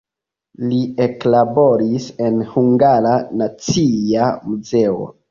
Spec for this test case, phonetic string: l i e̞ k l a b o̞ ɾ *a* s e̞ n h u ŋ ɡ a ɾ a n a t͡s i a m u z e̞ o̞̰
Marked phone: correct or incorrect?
incorrect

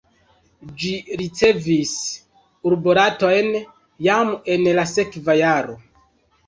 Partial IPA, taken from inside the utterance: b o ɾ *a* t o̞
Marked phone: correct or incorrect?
correct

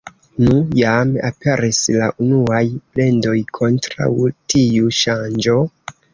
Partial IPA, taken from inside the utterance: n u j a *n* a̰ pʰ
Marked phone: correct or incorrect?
incorrect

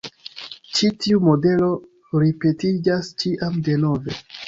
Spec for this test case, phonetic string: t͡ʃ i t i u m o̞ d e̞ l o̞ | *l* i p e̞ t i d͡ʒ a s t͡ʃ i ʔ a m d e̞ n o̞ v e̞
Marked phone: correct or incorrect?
incorrect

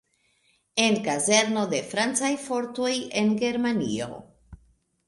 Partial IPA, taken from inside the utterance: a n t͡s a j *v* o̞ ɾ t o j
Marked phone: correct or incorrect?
incorrect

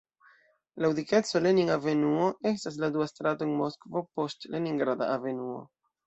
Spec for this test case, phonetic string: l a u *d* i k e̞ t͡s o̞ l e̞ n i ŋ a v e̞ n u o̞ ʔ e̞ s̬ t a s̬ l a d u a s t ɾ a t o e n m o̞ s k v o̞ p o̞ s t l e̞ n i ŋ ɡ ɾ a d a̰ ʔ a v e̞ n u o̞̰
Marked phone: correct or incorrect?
correct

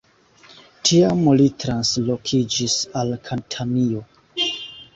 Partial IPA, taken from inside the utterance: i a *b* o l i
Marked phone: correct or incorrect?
incorrect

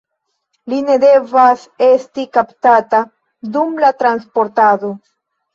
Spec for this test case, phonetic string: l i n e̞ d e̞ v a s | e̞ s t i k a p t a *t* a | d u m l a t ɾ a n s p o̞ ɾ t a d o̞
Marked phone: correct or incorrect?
correct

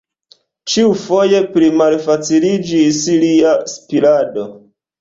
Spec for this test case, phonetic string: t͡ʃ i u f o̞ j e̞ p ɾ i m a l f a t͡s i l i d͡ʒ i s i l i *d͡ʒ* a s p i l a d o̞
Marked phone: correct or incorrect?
incorrect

